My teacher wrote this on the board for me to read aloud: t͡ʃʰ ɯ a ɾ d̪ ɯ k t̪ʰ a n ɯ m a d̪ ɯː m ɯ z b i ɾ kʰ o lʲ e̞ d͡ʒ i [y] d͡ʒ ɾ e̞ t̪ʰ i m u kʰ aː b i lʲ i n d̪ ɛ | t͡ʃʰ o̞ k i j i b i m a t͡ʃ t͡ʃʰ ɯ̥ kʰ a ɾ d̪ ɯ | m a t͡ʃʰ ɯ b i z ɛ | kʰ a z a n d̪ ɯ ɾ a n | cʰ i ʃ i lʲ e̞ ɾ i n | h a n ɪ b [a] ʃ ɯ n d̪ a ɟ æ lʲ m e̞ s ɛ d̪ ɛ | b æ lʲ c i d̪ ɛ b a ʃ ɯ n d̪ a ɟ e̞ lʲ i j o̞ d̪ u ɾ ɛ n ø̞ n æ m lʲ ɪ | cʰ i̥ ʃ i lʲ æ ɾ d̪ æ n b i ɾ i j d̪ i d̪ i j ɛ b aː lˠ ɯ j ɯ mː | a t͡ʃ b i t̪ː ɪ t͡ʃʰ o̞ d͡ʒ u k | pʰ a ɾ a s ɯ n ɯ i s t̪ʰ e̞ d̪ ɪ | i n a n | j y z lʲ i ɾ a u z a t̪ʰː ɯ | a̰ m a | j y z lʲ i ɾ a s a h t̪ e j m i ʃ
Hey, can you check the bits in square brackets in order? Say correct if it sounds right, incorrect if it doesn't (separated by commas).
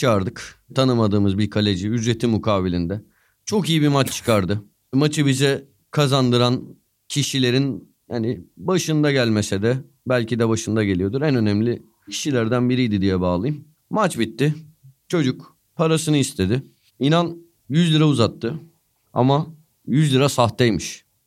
correct, correct